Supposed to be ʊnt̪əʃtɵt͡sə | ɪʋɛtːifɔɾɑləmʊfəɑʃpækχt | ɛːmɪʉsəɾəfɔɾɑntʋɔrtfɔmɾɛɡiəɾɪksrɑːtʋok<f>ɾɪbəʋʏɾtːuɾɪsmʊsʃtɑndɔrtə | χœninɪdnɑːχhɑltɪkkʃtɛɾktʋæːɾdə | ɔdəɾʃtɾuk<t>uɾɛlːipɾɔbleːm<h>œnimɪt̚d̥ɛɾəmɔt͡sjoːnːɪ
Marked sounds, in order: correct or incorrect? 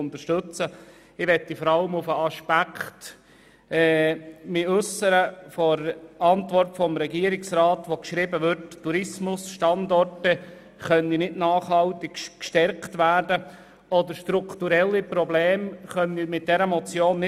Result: incorrect: ʃ, correct, incorrect: χ

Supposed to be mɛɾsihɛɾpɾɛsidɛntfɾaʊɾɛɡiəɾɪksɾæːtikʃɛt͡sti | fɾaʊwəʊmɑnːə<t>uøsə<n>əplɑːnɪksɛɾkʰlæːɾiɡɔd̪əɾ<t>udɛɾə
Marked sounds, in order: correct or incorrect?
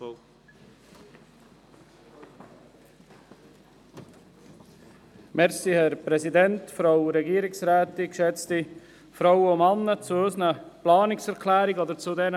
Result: incorrect: t͡s, correct, incorrect: t͡s

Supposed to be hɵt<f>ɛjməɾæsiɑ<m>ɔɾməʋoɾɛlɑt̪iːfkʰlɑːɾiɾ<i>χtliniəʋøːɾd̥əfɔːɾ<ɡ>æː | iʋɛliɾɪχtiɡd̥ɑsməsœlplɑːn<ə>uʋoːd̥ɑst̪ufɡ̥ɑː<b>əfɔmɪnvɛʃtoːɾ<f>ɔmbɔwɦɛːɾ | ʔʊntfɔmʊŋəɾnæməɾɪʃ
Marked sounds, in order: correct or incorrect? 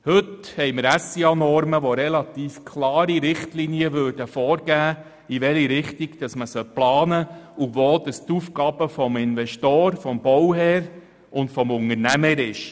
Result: incorrect: h, incorrect: n, incorrect: ɪ, correct, correct, correct, correct

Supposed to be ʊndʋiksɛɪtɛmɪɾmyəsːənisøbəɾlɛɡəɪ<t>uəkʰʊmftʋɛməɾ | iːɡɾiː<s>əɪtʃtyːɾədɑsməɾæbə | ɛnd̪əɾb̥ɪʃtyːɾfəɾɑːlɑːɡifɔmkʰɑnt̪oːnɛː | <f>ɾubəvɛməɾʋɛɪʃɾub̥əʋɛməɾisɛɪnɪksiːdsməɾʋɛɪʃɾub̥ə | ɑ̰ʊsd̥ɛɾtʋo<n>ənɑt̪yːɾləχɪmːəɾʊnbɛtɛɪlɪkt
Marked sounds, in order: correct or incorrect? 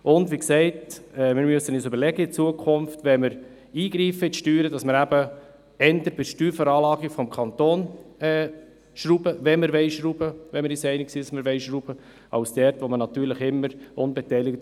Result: incorrect: t͡s, incorrect: f, incorrect: ʃ, incorrect: m

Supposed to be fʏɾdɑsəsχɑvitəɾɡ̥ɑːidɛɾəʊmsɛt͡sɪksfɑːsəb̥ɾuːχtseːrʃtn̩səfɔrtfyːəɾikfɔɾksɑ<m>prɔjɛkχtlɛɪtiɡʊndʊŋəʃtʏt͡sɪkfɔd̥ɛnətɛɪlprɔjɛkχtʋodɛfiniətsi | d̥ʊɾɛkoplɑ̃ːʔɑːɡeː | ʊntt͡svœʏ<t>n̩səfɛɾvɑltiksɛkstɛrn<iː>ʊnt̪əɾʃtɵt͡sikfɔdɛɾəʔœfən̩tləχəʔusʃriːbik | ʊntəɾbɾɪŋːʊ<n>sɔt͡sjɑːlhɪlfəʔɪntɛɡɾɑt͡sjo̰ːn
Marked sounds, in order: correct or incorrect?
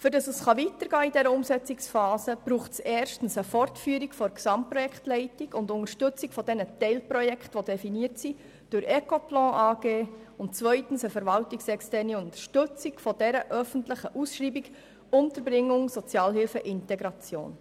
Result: correct, correct, incorrect: i, incorrect: ŋ

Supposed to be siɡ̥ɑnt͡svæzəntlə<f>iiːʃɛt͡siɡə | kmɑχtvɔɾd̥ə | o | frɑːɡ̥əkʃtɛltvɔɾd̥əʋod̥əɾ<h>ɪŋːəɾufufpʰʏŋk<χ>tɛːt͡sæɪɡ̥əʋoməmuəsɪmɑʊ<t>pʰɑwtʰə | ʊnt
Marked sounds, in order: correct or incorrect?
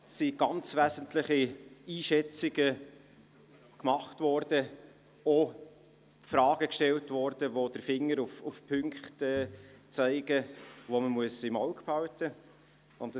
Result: incorrect: χ, incorrect: f, correct, incorrect: k

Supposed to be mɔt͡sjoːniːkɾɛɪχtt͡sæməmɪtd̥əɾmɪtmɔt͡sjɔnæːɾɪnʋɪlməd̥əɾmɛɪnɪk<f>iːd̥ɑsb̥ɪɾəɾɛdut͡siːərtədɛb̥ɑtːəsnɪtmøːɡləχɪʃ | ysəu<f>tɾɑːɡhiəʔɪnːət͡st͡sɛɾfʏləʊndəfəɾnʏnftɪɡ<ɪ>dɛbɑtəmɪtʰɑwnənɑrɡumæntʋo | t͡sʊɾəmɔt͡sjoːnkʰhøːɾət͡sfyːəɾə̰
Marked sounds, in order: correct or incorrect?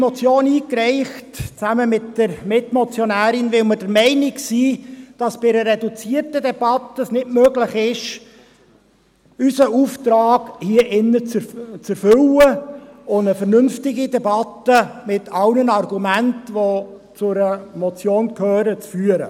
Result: incorrect: s, correct, incorrect: i

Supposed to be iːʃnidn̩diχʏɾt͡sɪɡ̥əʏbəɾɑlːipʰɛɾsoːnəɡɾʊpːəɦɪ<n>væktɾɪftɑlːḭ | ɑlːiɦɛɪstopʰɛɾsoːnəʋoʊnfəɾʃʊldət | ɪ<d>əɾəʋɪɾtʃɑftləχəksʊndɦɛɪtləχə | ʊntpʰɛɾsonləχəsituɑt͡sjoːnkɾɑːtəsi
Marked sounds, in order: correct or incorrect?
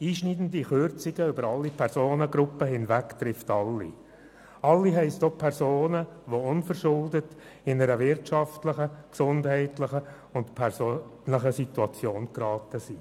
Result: correct, incorrect: n

